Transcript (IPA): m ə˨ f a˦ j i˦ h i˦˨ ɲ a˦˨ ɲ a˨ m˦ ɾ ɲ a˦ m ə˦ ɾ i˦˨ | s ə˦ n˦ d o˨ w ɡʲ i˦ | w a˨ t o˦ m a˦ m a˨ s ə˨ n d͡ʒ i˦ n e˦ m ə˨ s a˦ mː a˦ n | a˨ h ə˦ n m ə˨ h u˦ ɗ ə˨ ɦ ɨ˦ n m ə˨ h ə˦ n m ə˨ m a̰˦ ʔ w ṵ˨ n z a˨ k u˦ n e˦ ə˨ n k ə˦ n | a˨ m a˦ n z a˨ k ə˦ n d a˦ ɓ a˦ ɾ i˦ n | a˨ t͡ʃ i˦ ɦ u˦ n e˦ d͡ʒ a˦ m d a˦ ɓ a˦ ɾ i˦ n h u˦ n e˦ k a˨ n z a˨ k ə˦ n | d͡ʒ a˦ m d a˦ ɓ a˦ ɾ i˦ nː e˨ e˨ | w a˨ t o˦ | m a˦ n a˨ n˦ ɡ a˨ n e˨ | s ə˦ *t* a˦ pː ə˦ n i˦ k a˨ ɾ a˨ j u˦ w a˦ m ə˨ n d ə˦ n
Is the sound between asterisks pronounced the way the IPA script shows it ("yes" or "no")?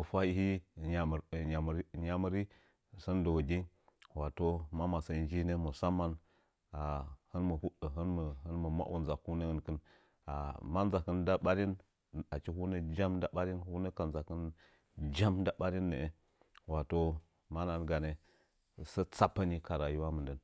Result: no